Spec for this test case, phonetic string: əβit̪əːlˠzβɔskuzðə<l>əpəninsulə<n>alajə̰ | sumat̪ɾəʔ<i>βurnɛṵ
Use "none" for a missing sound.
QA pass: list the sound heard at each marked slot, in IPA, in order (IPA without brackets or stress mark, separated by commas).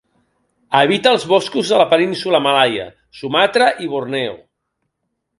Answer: l, m, i